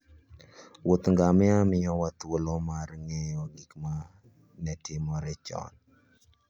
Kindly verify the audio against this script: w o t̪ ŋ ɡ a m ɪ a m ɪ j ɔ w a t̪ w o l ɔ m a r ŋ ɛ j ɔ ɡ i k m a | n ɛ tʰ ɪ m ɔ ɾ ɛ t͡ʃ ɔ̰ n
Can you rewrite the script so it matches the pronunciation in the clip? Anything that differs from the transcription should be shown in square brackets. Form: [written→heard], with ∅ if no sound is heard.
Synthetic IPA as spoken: w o t̪ ŋ ɡ a m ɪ a m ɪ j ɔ w a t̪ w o l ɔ m a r ŋ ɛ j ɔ ɡ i k m a | n ɛ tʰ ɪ m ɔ ɾ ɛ t͡ʃ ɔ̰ n

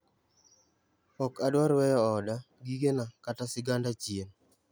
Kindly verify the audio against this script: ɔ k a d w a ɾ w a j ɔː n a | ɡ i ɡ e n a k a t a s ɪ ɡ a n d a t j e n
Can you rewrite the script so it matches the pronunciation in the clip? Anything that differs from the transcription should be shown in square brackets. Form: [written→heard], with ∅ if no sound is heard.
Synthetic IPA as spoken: ɔ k a d w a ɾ w [a→ɛ] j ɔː [n→d] a | ɡ i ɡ e n a k a t a s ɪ ɡ a n d a [t→t͡ʃ] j e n

